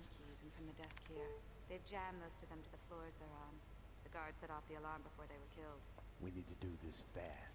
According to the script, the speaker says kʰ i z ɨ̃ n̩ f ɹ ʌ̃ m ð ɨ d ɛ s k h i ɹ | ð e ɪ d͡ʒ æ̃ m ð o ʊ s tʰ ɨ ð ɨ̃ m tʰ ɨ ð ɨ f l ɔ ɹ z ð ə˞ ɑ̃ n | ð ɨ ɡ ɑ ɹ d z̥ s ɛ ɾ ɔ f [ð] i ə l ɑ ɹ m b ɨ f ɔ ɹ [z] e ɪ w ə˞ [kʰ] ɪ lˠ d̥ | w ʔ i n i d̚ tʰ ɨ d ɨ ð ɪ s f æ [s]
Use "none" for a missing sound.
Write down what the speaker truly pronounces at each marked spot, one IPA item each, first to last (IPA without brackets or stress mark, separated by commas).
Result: ð, ð, kʰ, s